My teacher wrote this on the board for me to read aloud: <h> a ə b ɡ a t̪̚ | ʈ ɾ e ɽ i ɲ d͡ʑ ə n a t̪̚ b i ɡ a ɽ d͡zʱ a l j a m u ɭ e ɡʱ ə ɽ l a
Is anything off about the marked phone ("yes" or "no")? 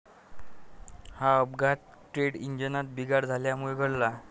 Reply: no